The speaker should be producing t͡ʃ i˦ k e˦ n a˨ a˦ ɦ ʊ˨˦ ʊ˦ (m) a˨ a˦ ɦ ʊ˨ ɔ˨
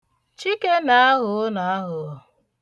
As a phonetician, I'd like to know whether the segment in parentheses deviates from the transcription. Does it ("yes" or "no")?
yes